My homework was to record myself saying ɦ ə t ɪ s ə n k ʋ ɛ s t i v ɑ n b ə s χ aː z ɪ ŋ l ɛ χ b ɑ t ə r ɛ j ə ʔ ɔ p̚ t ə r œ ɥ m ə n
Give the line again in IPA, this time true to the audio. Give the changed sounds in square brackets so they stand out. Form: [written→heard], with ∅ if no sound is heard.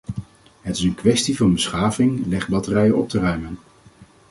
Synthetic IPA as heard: ɦ ə t ɪ s ə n k ʋ ɛ s t i v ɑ n b ə s χ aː [z→v] ɪ ŋ l ɛ χ b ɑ t ə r ɛ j ə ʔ ɔ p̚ t ə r œ ɥ m ə n